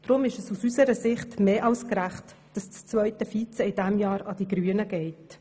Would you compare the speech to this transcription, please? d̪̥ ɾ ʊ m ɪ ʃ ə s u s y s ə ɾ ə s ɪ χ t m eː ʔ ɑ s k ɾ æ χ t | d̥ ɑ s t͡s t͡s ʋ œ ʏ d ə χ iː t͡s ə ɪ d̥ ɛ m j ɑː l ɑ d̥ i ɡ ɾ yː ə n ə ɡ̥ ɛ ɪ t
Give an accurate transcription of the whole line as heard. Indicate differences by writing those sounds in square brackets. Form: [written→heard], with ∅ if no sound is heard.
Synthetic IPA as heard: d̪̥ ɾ ʊ m ɪ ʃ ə s u s y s ə ɾ ə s ɪ χ t m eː ʔ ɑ s k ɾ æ χ t | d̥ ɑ s t͡s t͡s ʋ œ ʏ [d→t] ə [χ→f] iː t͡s ə ɪ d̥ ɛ m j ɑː [l→ɾ] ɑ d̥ i ɡ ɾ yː ə n ə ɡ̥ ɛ ɪ t